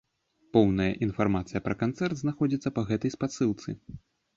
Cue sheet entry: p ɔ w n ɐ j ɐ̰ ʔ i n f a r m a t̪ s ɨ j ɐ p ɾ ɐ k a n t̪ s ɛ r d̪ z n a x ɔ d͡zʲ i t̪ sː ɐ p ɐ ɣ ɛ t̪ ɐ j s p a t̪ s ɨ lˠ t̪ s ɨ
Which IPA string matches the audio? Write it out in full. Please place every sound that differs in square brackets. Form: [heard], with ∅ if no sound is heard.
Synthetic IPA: p ɔ w n ɐ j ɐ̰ ʔ i n f a r m a t̪ s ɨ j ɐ p ɾ ɐ k a n t̪ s ɛ r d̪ z n a x ɔ d͡zʲ i t̪ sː ɐ p ɐ ɣ ɛ t̪ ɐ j s p a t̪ s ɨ lˠ t̪ s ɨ